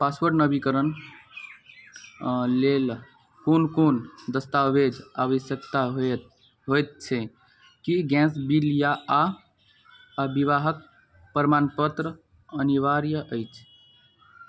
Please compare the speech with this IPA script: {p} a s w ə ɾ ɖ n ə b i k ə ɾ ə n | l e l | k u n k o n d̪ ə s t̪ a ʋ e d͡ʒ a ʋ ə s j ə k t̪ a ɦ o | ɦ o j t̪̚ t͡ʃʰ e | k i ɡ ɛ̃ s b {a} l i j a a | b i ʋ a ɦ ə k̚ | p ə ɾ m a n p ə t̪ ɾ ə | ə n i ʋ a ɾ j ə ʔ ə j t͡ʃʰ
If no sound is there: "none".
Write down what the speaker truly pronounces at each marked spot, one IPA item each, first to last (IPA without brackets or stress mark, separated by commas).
p, i